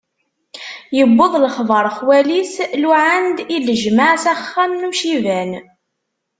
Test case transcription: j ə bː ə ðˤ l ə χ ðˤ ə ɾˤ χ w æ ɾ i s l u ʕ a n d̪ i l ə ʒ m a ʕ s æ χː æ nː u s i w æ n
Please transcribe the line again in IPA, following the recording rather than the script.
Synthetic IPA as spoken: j ə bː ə ðˤ l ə χ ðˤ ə ɾˤ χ w æ l i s l u ʕ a n d̪ i l ə ʒ m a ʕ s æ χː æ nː u ʃ i v æ n